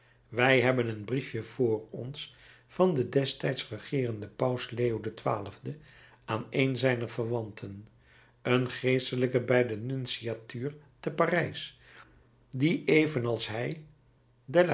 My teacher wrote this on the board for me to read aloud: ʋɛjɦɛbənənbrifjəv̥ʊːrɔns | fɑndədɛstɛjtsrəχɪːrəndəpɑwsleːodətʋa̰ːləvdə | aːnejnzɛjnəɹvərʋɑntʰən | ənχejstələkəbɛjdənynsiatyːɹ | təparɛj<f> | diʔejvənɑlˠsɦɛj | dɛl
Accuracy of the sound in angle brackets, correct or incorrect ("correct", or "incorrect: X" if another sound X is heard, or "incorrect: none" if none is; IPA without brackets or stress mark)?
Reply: incorrect: s